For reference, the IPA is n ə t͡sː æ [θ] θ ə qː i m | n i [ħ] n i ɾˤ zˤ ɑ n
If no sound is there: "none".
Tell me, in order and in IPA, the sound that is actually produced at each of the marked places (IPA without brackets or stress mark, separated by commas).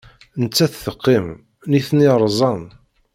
θ, θ